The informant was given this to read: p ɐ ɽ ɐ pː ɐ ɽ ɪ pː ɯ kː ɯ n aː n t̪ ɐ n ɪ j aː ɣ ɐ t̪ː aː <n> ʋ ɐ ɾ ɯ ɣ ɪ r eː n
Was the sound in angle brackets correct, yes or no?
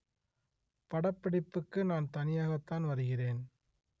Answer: yes